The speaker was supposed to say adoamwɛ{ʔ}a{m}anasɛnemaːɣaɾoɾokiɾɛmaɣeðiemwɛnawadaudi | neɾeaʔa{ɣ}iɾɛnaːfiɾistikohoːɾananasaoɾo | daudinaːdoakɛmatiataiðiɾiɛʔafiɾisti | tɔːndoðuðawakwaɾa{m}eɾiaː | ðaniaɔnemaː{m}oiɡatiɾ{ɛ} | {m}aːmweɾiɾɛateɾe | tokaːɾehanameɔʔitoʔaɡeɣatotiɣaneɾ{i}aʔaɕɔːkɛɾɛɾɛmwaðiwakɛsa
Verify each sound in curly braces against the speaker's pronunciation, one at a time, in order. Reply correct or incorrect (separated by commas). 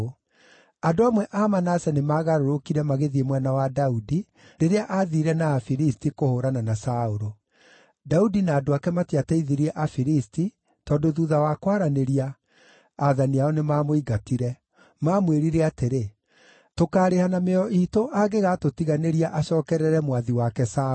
correct, correct, incorrect, incorrect, correct, correct, correct, correct